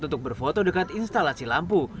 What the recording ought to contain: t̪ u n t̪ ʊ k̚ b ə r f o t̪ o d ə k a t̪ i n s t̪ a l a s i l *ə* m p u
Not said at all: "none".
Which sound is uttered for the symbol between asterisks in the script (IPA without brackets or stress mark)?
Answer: a